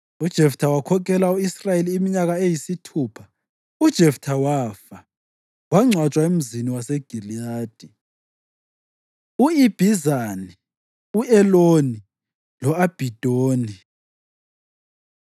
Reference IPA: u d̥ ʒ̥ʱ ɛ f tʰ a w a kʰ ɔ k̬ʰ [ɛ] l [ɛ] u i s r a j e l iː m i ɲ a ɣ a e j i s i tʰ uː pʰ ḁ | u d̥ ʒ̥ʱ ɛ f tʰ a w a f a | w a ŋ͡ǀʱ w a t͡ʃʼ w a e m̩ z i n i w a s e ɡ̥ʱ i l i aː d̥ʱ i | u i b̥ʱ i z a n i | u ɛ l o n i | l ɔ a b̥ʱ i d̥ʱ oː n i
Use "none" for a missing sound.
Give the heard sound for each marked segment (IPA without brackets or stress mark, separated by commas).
ɛ, a